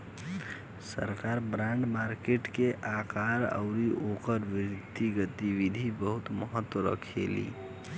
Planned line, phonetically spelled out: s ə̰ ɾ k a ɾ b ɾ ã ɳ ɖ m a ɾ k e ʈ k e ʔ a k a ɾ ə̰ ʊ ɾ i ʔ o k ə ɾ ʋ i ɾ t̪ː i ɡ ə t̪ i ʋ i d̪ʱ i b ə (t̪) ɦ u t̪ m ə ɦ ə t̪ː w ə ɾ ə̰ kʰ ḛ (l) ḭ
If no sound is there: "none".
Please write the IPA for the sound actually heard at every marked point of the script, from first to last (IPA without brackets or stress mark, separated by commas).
none, l